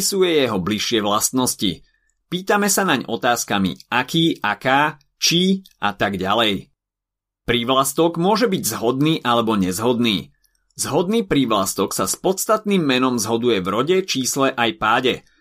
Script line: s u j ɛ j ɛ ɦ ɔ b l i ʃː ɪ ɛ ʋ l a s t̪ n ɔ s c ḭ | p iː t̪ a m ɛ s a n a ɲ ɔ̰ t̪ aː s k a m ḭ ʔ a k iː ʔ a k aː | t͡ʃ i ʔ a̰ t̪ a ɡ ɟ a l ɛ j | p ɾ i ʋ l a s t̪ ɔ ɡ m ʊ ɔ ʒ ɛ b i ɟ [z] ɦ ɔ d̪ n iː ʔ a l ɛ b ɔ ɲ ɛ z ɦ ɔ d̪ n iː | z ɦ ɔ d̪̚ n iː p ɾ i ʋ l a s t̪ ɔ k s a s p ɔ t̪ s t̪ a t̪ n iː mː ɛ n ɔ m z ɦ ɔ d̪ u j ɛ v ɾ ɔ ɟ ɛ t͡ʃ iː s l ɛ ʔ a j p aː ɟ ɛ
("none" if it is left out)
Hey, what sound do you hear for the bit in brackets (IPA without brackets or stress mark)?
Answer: z